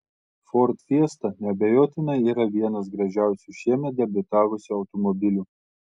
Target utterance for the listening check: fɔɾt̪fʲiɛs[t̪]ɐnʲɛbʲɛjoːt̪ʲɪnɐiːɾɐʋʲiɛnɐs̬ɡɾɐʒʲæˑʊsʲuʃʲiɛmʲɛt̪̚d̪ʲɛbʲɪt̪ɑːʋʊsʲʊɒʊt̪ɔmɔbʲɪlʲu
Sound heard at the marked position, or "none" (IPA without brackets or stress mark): t̪